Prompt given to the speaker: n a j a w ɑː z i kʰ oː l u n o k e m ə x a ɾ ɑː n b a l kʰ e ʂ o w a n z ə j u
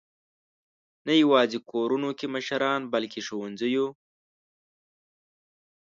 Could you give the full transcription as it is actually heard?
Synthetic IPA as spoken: n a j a w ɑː z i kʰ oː ɾ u n o k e m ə ʃ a ɾ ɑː n b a l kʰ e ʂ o w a n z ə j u